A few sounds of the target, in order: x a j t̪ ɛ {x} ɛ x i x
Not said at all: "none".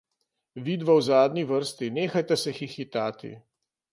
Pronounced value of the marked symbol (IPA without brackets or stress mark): s